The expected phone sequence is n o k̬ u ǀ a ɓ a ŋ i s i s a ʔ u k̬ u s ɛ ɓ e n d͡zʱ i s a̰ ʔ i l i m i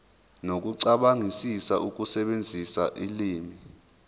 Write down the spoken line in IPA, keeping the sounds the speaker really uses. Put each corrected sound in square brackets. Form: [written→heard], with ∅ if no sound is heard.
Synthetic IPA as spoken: n o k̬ u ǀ a ɓ a ŋ i s i s a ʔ u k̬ u s ɛ ɓ e n d͡zʱ i s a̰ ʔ i l [i→iː] m i